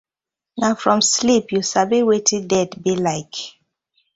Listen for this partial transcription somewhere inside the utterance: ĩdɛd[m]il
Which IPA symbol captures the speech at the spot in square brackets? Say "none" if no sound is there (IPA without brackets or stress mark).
b